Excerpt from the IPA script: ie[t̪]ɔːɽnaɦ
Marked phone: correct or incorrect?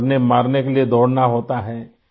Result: incorrect: d̪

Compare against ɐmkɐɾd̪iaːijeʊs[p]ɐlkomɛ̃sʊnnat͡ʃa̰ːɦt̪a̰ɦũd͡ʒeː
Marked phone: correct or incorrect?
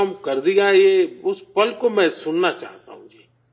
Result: correct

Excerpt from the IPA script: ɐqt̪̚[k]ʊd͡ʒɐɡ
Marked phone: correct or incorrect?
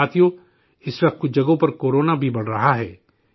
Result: correct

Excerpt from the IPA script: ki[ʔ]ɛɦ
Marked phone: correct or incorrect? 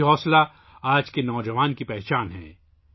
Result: incorrect: p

